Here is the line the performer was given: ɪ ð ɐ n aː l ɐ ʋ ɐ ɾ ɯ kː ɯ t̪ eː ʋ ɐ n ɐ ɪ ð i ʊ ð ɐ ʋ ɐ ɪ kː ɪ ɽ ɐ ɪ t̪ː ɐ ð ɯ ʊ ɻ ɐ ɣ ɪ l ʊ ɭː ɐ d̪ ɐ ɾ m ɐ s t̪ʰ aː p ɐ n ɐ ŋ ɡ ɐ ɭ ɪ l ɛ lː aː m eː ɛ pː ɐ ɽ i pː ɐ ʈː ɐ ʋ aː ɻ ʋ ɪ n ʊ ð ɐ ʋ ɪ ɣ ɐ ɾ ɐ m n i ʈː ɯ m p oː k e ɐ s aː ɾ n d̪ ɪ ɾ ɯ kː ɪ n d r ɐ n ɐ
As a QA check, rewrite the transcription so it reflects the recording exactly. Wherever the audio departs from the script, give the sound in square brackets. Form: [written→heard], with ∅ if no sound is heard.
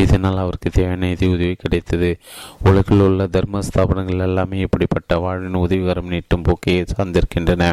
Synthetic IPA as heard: ɪ ð ɐ n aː l ɐ ʋ ɐ ɾ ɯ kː ɯ t̪ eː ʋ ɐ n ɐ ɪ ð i ʊ ð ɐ ʋ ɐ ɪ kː ɪ ɽ ɐ ɪ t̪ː ɐ ð ɯ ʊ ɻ ɐ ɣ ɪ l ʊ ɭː ɐ d̪ ɐ ɾ m ɐ s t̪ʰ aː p ɐ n ɐ ŋ ɡ ɐ ɭ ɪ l ɛ lː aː m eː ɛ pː ɐ ɽ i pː ɐ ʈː ɐ ʋ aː ɻ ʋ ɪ n ʊ ð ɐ ʋ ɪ ɣ ɐ ɾ ɐ m n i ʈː ɯ m p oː k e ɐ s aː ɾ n d̪ ɪ ɾ ɯ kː ɪ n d r ɐ n ɐ